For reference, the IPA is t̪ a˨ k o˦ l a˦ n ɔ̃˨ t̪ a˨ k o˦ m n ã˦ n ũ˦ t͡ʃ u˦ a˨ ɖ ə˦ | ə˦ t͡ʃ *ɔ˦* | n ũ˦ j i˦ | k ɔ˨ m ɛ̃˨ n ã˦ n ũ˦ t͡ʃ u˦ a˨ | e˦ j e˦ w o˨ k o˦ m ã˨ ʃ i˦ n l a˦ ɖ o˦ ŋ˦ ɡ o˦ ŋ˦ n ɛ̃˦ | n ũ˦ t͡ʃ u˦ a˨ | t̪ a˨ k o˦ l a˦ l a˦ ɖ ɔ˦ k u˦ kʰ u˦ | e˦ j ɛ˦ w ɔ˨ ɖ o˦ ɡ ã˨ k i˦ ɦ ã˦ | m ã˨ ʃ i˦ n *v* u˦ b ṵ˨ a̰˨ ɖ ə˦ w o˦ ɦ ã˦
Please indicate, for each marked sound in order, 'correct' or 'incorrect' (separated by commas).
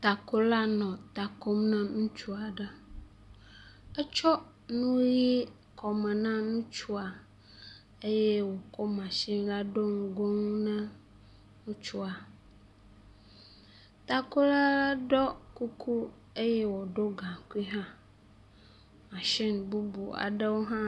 correct, incorrect